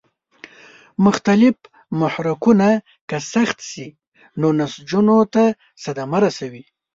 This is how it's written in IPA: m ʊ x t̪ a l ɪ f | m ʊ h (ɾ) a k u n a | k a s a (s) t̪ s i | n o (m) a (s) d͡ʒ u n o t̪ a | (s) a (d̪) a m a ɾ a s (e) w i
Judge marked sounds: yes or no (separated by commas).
yes, no, no, yes, yes, yes, no